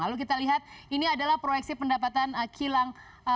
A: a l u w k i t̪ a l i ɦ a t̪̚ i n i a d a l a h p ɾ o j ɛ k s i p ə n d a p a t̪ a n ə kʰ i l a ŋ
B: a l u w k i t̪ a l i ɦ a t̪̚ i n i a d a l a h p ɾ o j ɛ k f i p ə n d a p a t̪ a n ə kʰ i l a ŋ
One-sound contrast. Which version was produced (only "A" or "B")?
A